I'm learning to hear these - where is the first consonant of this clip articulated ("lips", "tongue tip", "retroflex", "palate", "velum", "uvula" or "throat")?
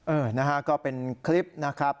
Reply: throat